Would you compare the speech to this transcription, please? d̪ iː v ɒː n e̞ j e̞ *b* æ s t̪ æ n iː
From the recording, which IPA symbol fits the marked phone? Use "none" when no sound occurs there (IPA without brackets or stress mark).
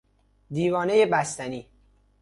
b